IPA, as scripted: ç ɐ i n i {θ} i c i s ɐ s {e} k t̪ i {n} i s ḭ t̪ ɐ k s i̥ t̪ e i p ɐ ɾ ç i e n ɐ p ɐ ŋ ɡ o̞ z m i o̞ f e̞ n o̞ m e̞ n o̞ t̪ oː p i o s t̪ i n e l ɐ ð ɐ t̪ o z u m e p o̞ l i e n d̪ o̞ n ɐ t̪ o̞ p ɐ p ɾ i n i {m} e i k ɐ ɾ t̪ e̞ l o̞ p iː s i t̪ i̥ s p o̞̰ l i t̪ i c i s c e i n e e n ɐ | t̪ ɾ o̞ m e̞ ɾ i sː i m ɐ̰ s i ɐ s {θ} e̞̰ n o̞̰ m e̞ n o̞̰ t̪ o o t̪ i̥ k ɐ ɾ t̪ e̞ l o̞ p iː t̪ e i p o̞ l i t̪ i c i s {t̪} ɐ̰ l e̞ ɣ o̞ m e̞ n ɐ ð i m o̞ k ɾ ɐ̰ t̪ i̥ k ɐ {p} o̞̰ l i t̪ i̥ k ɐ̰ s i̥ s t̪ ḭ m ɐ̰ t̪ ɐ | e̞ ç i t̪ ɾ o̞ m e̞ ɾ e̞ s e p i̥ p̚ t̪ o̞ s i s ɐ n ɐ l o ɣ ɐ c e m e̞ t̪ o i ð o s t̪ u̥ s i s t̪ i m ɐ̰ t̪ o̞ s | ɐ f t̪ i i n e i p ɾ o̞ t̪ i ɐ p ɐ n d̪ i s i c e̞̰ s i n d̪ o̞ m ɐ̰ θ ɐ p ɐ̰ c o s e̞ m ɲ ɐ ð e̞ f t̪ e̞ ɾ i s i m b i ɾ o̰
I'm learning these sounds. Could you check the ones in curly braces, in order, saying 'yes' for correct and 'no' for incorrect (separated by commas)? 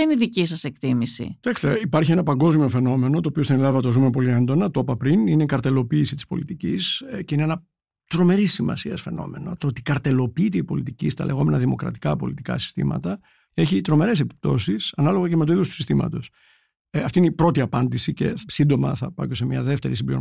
no, yes, no, no, no, yes, yes